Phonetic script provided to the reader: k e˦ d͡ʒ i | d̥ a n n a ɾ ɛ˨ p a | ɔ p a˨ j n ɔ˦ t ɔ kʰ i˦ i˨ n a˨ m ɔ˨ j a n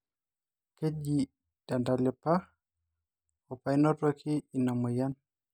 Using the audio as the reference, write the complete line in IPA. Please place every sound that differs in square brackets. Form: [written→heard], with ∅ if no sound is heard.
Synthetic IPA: k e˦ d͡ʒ i | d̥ a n [n→d] a [ɾ→l] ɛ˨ p a | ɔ p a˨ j n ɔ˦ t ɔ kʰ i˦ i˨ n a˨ m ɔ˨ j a n